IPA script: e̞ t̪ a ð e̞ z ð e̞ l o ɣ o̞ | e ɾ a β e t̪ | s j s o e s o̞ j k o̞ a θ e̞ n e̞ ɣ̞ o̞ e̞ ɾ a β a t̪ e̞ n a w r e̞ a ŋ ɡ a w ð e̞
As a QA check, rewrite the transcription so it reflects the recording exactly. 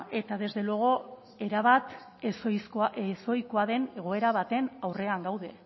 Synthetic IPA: e̞ t̪ a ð e̞ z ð e̞ l o ɣ o̞ | e ɾ a β a t̪ | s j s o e s o̞ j k o̞ a ð e̞ n e̞ ɣ̞ o̞ e̞ ɾ a β a t̪ e̞ n a w r e̞ a ŋ ɡ a w ð e̞